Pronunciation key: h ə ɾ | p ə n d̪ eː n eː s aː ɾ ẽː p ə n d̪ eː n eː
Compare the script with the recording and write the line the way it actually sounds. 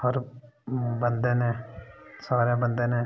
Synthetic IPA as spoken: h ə ɾ | b ə n d̪ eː n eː s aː ɾ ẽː b ə n d̪ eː n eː